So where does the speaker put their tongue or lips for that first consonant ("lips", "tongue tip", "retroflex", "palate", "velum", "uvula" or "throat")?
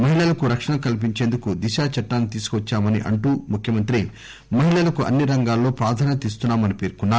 lips